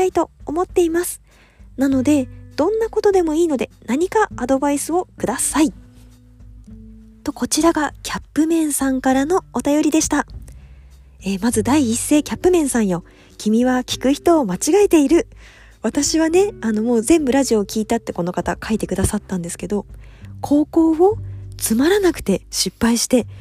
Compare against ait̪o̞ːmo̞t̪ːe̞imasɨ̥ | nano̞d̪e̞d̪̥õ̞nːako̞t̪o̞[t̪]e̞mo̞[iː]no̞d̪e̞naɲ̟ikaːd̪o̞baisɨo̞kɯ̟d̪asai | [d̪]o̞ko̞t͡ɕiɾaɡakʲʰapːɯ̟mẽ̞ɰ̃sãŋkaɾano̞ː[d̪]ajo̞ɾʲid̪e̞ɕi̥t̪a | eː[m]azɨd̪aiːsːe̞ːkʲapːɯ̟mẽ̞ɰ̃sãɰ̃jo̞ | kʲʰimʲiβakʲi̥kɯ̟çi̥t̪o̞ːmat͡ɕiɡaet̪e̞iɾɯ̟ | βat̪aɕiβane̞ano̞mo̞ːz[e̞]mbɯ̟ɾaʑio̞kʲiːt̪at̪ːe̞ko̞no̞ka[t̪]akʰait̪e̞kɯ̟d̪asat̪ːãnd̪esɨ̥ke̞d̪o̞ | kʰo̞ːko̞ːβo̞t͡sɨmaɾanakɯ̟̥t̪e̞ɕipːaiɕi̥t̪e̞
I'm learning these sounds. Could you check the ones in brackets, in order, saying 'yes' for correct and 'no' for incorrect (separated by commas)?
no, yes, no, no, yes, no, yes